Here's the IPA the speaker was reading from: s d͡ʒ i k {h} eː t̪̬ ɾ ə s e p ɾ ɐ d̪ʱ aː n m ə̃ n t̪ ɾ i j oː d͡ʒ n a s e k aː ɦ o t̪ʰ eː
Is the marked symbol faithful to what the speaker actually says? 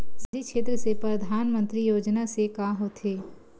no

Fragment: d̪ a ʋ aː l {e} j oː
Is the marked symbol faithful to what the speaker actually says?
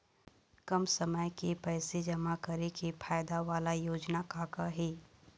no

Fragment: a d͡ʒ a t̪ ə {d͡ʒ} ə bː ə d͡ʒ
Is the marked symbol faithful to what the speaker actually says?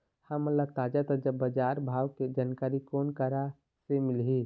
yes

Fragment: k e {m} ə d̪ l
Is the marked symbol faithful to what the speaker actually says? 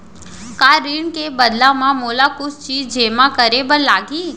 no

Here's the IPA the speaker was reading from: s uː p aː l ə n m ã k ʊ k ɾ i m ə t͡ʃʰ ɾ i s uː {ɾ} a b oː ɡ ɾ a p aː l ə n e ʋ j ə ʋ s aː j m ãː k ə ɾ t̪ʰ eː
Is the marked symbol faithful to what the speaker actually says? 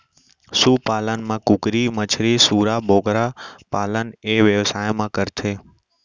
yes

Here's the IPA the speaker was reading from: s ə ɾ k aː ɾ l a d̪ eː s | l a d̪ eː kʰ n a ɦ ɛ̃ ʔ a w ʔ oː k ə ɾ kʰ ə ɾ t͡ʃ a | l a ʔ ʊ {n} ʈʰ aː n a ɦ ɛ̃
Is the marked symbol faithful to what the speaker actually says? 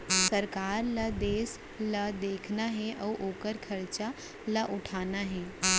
no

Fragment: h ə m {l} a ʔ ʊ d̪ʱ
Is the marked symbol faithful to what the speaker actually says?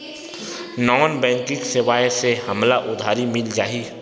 yes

